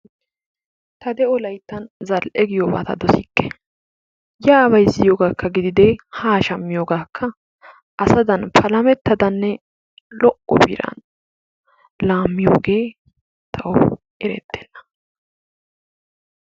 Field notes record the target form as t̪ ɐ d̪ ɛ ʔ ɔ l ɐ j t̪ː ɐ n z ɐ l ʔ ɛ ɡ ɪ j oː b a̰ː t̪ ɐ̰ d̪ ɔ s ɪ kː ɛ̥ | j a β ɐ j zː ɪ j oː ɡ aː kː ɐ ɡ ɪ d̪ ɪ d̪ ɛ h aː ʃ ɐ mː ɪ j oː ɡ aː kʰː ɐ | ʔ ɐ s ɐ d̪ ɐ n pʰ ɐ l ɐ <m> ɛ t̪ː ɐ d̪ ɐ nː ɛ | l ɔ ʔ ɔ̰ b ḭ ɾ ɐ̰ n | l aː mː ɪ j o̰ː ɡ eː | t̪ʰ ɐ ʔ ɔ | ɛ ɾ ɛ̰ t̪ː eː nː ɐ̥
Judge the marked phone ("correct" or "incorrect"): correct